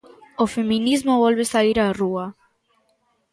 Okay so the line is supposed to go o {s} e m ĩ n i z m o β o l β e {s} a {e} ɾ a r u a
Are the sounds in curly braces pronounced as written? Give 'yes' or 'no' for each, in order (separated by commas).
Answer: no, yes, no